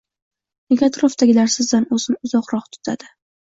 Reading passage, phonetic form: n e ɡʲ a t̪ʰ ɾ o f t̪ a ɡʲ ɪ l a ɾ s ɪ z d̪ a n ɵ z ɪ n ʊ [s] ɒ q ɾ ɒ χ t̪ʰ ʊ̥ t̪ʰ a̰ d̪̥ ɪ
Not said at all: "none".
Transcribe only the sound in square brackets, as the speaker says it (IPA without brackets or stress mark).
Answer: z